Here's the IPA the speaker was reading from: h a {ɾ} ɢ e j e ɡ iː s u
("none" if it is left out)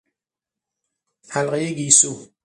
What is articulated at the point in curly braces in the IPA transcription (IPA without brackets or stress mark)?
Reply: l